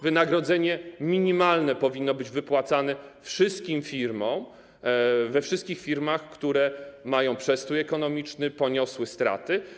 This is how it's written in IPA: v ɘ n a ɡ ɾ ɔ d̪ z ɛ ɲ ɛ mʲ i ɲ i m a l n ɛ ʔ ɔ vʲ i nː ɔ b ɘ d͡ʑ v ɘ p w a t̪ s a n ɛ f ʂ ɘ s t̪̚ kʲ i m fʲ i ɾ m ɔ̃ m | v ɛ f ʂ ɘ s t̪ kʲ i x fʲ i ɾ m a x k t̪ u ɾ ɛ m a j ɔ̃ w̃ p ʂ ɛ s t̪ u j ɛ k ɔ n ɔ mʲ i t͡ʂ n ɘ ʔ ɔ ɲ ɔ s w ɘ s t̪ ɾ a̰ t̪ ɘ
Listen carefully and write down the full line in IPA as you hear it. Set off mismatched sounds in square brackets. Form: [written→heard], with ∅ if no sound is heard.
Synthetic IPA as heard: v ɘ n a ɡ ɾ ɔ d̪ z ɛ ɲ ɛ mʲ i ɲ i m a l n ɛ [ʔ→p] ɔ vʲ i nː ɔ b ɘ d͡ʑ v ɘ p w a t̪ s a n ɛ f ʂ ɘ s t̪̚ kʲ i m fʲ i ɾ m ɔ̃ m | v ɛ f ʂ ɘ s t̪ kʲ i x fʲ i ɾ m a x k t̪ u ɾ ɛ m a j ɔ̃ w̃ p ʂ ɛ s t̪ u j ɛ k ɔ n ɔ mʲ i t͡ʂ n ɘ [ʔ→p] ɔ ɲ ɔ s w ɘ s t̪ ɾ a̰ t̪ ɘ